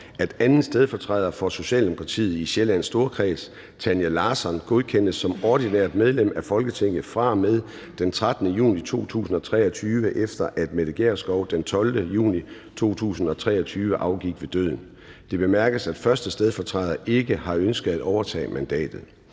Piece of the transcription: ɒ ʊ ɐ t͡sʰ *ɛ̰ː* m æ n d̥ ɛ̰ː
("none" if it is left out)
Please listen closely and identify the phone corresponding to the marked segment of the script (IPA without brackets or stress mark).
ɛ̰ː